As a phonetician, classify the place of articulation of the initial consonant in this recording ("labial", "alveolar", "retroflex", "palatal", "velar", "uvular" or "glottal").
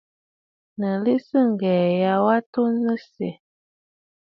alveolar